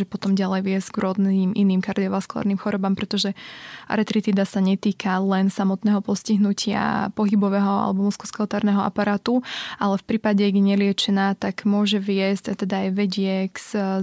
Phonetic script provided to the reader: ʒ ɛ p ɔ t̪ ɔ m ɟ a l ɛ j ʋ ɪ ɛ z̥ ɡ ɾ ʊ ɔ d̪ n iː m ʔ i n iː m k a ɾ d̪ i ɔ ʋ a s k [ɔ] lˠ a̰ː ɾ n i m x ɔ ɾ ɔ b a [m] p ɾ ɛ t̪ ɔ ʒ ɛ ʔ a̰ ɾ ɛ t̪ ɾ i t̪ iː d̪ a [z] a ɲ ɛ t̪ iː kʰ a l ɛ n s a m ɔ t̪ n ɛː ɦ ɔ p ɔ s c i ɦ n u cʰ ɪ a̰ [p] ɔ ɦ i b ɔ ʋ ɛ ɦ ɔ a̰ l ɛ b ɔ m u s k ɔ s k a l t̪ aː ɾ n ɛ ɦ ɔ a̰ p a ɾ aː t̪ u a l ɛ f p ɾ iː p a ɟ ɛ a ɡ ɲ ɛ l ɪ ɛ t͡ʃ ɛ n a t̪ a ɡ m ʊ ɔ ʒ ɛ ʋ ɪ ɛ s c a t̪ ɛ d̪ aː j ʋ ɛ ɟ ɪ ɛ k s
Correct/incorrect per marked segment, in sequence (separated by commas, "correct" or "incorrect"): incorrect, correct, incorrect, correct